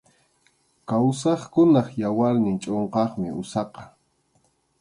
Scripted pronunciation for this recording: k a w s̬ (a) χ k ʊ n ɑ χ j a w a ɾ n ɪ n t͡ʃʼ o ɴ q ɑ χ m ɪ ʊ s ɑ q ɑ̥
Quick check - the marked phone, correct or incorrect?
incorrect